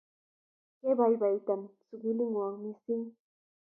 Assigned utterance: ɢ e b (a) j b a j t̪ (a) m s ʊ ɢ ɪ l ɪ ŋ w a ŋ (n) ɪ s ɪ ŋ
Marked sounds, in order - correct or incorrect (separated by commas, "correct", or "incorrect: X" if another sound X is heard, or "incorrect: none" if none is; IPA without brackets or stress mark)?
correct, correct, incorrect: m